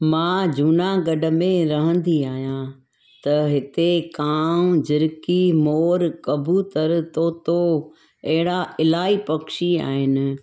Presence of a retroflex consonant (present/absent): present